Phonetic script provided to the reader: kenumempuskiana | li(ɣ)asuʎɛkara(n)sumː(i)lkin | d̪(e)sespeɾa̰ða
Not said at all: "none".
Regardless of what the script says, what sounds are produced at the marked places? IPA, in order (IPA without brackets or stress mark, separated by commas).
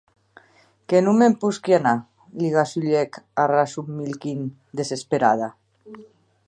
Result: ɣ, none, i, e